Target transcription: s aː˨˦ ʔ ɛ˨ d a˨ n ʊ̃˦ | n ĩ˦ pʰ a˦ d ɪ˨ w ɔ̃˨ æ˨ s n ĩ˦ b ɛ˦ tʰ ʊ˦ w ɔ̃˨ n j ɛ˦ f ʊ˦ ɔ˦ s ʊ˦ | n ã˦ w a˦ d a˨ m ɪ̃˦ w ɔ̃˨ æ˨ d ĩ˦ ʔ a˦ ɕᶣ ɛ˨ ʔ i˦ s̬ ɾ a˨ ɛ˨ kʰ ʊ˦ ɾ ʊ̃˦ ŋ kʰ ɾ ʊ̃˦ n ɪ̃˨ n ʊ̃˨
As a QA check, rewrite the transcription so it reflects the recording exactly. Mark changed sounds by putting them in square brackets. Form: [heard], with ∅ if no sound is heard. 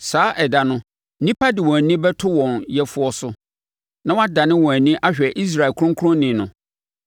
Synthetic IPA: s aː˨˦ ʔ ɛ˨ d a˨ n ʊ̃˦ | n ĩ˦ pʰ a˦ d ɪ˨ w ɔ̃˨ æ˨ [∅] n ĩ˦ b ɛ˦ tʰ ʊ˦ w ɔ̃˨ n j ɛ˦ f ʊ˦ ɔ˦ s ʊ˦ | n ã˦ w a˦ d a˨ [n] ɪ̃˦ w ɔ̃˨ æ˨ [n] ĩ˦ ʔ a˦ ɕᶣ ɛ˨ ʔ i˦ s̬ ɾ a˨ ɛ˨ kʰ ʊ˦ ɾ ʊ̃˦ ŋ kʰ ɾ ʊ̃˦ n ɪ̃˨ n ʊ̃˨